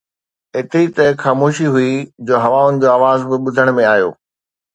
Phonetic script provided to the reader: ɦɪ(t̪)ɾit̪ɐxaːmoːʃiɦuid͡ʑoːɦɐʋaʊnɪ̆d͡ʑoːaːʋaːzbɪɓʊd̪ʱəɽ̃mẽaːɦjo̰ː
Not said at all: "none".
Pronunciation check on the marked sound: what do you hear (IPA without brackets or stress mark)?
t̪